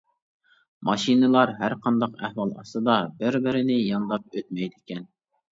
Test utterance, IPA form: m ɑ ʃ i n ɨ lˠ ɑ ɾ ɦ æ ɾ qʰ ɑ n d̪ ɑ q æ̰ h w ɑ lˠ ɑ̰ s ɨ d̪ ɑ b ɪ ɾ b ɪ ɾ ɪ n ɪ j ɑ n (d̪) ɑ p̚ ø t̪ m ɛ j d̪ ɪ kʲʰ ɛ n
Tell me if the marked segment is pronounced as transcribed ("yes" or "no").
yes